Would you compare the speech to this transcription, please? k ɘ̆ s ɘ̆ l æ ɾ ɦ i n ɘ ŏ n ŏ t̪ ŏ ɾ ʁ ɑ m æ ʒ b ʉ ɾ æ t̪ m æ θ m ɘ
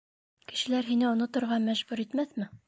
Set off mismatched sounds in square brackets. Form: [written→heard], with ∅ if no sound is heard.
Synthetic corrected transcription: k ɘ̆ [s→ʃ] ɘ̆ l æ ɾ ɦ i n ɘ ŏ n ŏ t̪ ŏ ɾ ʁ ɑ m æ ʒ b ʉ ɾ [æ→i] t̪ m æ θ m ɘ

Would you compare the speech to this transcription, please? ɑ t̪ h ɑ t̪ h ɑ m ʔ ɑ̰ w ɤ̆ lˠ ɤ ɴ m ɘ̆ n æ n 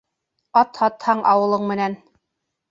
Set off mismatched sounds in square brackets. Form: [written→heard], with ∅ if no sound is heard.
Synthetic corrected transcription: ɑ t̪ h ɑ t̪ h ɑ [m→ɴ] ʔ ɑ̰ w ɤ̆ lˠ ɤ ɴ m ɘ̆ n æ n

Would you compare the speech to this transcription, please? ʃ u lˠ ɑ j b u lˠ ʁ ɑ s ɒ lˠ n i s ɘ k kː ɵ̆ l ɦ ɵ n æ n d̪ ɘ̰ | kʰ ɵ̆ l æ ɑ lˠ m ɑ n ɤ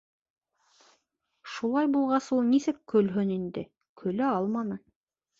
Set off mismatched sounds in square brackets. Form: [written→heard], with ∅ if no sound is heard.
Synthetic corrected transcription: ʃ u lˠ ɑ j b u lˠ ʁ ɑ s [ɒ→u] lˠ n i s ɘ k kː ɵ̆ l ɦ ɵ n [æ→i] n d̪ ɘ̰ | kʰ ɵ̆ l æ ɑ lˠ m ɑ n ɤ

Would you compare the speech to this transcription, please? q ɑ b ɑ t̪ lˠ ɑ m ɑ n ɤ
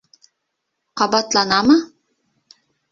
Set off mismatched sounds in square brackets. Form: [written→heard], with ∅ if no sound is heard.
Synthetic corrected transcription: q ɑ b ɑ t̪ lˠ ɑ [m→n] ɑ [n→m] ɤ

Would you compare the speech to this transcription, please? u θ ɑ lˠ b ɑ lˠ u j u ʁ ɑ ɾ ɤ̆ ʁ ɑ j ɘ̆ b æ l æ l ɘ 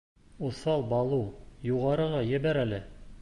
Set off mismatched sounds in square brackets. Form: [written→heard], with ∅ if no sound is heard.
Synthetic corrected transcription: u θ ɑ lˠ b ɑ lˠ u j u ʁ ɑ ɾ ɤ̆ ʁ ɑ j ɘ̆ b æ [l→ɾ] æ l ɘ

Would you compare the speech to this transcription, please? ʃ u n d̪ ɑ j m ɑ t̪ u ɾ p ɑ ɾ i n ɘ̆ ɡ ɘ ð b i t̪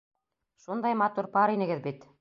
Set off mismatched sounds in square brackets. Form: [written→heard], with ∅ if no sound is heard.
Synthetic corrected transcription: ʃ u n d̪ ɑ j m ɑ t̪ u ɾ p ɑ ɾ i n ɘ̆ ɡ ɘ ð b i t̪

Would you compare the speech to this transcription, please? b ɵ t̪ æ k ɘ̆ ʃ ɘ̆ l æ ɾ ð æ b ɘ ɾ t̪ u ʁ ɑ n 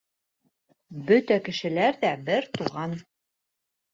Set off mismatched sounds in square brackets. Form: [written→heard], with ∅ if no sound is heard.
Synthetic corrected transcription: b ɵ t̪ æ k ɘ̆ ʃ ɘ̆ l æ ɾ ð æ b ɘ ɾ t̪ u ʁ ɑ n

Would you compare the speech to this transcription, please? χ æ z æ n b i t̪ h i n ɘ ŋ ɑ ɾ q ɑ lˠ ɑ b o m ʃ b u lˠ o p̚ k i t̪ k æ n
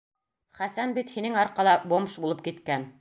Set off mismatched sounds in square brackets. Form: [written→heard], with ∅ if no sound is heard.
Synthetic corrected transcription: χ æ [z→s] æ n b i t̪ h i n ɘ ŋ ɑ ɾ q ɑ lˠ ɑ b o m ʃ b u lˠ [o→ɤ] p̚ k i t̪ k æ n

